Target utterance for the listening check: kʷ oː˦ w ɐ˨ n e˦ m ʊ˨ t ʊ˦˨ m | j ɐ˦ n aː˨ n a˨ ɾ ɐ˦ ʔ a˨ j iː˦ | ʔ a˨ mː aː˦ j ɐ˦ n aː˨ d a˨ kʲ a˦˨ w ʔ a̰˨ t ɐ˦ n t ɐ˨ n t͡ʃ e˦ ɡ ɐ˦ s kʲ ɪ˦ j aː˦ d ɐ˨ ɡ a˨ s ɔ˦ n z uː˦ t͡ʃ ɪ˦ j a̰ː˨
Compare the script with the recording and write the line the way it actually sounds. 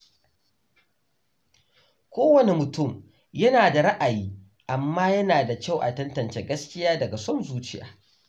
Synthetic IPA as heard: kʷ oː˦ w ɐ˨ n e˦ m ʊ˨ t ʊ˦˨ m | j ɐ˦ n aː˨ d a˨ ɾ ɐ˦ ʔ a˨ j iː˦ | ʔ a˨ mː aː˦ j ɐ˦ n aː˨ d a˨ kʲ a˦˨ w ʔ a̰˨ t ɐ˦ n t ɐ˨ n t͡ʃ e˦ ɡ ɐ˦ s kʲ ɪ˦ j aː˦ d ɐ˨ ɡ a˨ s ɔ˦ n z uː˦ t͡ʃ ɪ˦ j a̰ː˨